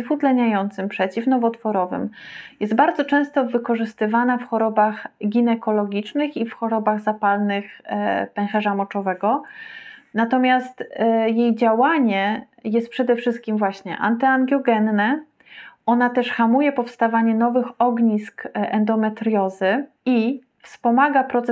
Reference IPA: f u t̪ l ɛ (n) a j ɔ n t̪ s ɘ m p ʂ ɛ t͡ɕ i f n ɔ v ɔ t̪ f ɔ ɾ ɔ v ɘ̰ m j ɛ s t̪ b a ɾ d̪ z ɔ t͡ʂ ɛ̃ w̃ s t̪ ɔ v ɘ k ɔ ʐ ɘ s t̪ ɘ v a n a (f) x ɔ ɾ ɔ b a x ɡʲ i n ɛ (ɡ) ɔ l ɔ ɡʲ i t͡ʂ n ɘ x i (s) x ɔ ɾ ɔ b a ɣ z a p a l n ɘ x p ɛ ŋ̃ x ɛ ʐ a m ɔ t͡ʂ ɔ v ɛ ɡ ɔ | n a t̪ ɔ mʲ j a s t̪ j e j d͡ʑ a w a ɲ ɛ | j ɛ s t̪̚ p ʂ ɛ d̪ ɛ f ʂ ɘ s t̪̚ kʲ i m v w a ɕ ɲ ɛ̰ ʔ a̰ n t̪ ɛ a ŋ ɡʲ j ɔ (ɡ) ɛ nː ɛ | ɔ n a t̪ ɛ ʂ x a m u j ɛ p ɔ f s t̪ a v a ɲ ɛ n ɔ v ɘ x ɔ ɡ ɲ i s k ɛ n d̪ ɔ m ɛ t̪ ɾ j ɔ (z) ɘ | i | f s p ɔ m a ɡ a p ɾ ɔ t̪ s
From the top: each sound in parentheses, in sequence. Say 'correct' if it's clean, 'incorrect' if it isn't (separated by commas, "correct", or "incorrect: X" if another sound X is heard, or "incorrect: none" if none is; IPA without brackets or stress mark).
incorrect: ɲ, correct, incorrect: k, incorrect: f, correct, correct